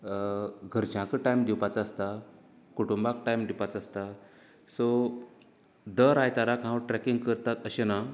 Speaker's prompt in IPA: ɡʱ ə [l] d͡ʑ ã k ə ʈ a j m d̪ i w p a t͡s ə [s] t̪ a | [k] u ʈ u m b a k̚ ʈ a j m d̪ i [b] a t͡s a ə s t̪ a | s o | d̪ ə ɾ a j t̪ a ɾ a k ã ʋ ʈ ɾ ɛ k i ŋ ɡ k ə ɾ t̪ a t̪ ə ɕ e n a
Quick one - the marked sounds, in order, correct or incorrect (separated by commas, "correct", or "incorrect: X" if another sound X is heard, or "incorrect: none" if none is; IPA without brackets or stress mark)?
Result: incorrect: ɾ, correct, correct, incorrect: p